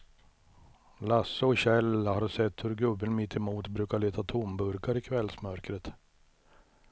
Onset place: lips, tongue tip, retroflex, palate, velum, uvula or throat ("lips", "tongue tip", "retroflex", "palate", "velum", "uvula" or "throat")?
tongue tip